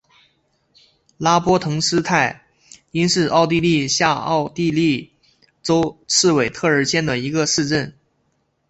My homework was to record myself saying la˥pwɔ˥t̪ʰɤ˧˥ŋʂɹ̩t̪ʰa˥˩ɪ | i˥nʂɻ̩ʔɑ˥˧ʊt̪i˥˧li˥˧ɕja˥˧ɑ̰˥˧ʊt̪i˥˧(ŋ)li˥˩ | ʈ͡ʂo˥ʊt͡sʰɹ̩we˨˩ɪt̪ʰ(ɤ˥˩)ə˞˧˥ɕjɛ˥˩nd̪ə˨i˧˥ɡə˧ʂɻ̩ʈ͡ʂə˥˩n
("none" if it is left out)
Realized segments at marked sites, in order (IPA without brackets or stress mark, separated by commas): none, ɤ˥˩